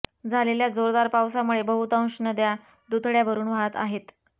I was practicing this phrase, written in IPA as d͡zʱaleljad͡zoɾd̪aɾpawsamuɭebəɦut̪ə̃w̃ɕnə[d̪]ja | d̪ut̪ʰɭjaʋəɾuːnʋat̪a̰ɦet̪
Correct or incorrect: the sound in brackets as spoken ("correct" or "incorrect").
correct